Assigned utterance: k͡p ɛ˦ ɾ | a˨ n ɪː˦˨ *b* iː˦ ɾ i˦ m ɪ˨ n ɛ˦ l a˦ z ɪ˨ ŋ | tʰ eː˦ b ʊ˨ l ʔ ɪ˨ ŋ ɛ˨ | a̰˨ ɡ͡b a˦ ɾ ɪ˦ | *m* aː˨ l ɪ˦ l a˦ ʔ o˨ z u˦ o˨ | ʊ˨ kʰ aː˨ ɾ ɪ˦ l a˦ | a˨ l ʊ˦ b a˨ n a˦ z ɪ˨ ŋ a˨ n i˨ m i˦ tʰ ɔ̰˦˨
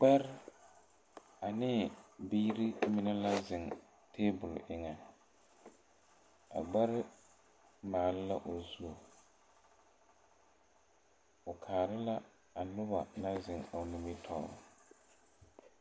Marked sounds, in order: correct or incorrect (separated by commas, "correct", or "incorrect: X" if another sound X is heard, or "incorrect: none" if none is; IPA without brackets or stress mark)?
correct, correct